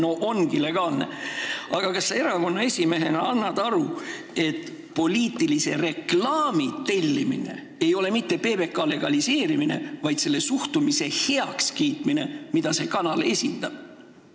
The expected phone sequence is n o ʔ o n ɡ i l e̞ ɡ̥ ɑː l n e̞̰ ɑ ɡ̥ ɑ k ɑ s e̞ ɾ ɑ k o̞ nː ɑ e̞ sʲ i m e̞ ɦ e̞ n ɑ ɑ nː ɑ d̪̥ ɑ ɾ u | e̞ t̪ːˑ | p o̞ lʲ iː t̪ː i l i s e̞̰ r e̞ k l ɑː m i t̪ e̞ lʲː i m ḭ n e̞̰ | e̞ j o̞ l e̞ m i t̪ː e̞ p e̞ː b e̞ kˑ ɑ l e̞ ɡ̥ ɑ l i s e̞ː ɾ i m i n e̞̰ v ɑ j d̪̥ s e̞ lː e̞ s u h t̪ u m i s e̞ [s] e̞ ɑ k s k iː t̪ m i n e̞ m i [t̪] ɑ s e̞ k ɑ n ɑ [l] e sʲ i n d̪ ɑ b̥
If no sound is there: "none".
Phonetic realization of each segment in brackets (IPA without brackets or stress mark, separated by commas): h, d̪, l